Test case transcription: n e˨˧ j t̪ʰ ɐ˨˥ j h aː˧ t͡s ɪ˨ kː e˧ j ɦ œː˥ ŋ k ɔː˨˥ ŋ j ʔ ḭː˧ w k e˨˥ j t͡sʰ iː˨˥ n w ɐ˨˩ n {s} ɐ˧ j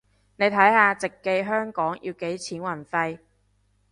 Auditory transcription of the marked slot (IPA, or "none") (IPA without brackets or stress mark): f